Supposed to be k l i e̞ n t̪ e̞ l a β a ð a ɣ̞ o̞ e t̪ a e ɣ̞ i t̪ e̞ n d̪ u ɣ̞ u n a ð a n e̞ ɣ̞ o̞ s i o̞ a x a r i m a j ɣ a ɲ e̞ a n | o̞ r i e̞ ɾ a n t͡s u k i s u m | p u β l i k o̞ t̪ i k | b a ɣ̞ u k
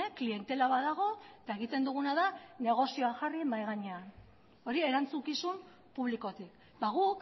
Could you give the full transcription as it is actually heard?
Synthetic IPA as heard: k l i e̞ n t̪ e̞ l a β a ð a ɣ̞ o̞ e t̪ a e ɣ̞ i t̪ e̞ n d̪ u ɣ̞ u n a ð a n e̞ ɣ̞ o̞ s i o̞ a x a r i m a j ɣ a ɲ e̞ a n | o̞ ɾ i e̞ ɾ a n t͡s u k i s u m | p u β l i k o̞ t̪ i k | b a ɣ̞ u k